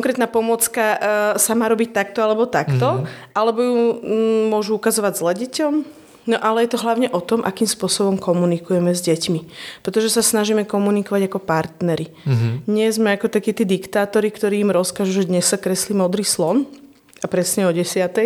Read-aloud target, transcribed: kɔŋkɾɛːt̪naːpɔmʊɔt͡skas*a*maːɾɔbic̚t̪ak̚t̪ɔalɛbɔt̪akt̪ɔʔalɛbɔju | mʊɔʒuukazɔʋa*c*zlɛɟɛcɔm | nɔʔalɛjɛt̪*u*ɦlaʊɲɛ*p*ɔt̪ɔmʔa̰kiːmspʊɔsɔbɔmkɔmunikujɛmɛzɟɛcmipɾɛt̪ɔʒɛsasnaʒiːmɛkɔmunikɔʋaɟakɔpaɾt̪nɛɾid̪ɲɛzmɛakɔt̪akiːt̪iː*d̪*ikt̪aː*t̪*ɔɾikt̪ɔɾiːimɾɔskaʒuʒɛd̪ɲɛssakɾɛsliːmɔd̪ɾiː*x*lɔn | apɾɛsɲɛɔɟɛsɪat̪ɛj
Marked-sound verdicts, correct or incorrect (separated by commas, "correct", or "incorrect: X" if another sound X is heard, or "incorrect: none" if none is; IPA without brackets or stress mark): correct, incorrect: ɟ, incorrect: ɔ, incorrect: ʔ, correct, correct, incorrect: s